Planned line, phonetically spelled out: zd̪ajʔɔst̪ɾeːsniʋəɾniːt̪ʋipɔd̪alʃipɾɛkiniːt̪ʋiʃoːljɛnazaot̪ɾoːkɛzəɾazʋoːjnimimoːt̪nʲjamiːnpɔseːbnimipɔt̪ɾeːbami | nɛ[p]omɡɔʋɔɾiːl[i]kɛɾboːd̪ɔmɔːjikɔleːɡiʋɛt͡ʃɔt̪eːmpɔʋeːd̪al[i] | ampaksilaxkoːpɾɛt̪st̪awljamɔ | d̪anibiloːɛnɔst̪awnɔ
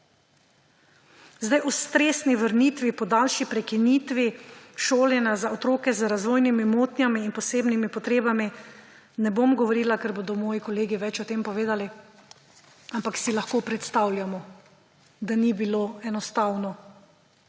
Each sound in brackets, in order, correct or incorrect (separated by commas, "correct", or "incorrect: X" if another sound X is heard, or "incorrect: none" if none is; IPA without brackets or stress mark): incorrect: b, incorrect: a, correct